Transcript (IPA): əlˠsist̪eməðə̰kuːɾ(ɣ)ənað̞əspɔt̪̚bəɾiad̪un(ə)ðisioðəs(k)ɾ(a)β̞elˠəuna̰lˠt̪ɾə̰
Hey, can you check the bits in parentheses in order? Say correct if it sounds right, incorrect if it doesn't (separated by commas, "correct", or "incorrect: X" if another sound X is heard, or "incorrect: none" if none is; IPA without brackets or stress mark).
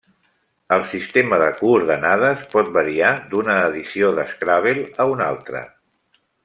incorrect: ð, incorrect: əː, correct, correct